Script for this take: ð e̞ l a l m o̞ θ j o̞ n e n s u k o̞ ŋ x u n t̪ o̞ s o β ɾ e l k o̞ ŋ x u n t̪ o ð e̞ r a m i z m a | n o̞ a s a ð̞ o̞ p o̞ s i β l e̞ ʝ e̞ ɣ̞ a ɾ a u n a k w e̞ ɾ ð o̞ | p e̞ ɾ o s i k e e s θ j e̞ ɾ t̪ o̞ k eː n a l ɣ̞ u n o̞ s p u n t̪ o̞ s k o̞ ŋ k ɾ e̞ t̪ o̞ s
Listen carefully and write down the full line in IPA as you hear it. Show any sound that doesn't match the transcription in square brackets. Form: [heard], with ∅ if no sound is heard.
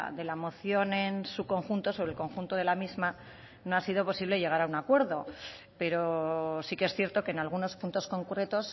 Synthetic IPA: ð e̞ l a [∅] m o̞ θ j o̞ n e n s u k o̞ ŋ x u n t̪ o̞ s o β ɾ e l k o̞ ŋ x u n t̪ o ð e̞ [l] a m i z m a | n o̞ a s [i] ð̞ o̞ p o̞ s i β l e̞ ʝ e̞ ɣ̞ a ɾ a u n a k w e̞ ɾ ð o̞ | p e̞ ɾ o s i k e e s θ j e̞ ɾ t̪ o̞ k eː n a l ɣ̞ u n o̞ s p u n t̪ o̞ s k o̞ ŋ k ɾ e̞ t̪ o̞ s